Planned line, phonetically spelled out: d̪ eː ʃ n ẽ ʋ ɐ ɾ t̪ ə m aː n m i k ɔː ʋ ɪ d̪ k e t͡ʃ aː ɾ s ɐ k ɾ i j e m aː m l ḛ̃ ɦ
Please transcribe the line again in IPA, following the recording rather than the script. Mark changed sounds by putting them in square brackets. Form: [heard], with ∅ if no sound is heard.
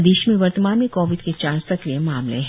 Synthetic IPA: d̪ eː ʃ [m] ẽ ʋ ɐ ɾ t̪ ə m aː n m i k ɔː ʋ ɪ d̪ k e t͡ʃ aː ɾ s ɐ k ɾ i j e m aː m l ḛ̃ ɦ